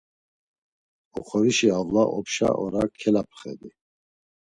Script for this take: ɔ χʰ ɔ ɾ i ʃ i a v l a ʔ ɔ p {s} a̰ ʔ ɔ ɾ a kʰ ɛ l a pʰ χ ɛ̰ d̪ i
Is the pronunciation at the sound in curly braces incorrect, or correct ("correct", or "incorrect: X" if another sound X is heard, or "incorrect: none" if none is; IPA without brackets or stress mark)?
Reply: incorrect: ʃ